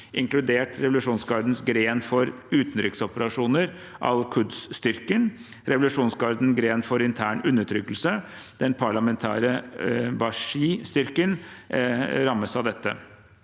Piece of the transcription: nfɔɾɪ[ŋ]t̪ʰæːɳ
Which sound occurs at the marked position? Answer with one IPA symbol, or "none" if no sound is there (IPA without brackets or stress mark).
n